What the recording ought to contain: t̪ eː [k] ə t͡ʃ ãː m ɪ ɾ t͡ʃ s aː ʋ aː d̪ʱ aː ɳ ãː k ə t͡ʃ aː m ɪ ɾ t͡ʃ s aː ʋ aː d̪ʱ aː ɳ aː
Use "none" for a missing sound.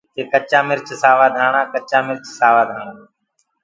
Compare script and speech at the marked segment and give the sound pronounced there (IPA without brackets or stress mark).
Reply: k